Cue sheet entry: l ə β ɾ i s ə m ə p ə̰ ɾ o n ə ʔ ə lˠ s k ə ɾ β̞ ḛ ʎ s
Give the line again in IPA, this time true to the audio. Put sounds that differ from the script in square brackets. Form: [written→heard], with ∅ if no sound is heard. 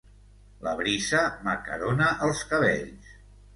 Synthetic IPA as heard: l ə β ɾ i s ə m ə [p→k] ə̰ ɾ o n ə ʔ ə lˠ s k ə [ɾ→∅] β̞ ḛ ʎ s